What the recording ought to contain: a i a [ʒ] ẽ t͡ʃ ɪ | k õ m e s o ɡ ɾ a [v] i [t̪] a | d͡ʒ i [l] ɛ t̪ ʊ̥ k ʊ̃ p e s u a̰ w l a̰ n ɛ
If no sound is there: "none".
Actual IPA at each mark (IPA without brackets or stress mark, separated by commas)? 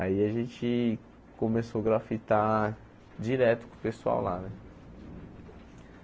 ʒ, f, t̪, ɾ